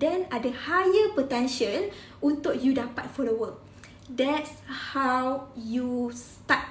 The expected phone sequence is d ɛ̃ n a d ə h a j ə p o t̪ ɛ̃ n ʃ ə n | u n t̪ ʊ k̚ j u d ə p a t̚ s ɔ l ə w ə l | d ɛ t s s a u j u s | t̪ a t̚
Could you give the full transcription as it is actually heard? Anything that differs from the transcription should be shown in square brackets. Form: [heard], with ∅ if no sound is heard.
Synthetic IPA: d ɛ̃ n a d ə h a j ə p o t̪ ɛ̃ n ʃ ə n | u n t̪ ʊ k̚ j u d [a] p a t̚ [f] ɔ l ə w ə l | d ɛ t s [h] a [w] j u s | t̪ a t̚